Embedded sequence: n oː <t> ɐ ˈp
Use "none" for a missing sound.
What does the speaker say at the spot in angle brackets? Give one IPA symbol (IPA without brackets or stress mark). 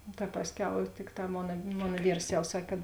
t